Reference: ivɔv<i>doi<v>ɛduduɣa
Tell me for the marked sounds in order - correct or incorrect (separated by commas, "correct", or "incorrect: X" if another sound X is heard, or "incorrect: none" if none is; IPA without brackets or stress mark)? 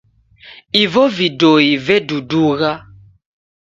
correct, correct